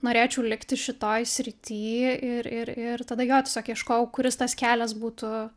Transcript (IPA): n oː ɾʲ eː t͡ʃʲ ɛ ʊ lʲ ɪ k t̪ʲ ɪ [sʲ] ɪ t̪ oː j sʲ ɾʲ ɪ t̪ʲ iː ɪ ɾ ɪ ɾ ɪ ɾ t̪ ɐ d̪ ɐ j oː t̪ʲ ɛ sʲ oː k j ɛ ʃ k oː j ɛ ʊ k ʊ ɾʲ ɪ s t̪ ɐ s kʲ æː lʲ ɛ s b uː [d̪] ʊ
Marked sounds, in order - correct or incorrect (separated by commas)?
incorrect, incorrect